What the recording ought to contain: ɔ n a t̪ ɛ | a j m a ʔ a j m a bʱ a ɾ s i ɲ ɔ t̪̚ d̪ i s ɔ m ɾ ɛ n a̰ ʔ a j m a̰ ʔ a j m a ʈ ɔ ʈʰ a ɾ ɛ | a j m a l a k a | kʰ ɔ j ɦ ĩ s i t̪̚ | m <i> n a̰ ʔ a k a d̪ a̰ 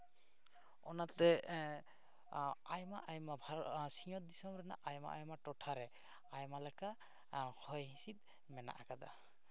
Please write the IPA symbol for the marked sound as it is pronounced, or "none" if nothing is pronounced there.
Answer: ɛ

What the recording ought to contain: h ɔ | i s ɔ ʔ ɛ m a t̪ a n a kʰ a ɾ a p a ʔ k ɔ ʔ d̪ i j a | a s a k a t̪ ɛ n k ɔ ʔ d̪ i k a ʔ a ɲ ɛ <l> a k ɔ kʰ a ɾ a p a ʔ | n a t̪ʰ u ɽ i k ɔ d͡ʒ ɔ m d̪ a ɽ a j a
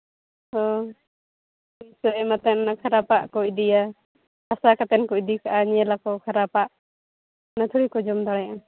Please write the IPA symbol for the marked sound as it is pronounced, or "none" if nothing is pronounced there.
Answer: l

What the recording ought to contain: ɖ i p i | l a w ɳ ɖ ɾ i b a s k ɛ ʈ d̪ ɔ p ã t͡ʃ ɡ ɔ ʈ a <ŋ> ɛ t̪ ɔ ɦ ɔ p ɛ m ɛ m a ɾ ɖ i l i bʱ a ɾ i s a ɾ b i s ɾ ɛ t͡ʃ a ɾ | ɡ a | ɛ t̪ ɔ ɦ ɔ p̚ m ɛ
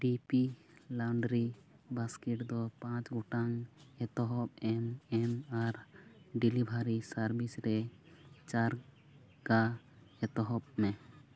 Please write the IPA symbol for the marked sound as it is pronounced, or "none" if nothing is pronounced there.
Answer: ŋ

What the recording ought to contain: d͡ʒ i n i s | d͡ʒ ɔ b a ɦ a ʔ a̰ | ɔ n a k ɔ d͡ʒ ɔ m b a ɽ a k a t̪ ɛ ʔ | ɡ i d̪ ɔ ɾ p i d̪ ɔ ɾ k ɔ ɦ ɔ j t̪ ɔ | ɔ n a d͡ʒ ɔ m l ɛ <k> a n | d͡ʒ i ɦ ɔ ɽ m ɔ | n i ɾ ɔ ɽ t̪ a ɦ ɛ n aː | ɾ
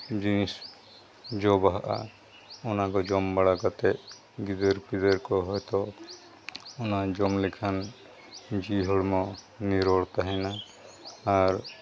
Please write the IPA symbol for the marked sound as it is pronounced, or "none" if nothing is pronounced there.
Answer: kʰ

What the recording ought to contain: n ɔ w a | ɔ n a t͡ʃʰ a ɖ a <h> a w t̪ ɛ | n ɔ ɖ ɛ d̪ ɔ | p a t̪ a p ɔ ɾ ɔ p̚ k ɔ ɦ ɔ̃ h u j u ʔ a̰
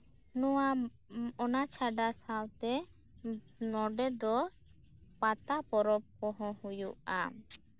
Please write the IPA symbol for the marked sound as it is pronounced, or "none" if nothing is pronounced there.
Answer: s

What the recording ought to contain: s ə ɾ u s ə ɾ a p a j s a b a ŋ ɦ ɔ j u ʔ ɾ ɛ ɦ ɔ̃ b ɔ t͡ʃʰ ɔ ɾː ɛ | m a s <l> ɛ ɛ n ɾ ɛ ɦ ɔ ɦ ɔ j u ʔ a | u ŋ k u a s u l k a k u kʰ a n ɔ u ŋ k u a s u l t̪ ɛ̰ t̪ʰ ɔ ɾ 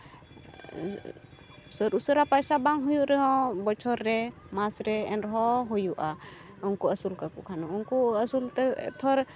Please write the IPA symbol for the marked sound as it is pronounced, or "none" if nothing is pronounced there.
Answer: ɾ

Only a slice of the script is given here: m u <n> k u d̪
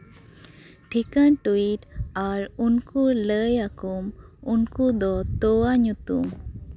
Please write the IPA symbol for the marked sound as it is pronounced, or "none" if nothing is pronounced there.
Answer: n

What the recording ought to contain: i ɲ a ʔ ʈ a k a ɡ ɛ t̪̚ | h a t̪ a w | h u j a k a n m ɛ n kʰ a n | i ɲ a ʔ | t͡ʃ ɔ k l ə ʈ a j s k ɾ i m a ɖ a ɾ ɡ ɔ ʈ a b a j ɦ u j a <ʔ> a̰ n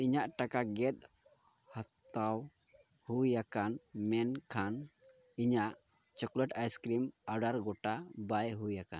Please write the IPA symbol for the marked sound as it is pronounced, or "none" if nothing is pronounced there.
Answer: k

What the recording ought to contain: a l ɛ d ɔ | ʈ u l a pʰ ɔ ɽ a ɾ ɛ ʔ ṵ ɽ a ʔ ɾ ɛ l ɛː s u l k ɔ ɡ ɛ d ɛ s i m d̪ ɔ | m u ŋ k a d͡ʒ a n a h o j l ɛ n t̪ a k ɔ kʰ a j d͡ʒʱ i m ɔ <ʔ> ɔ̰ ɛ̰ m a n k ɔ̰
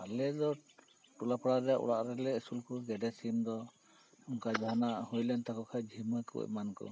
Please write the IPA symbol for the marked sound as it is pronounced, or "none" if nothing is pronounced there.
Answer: k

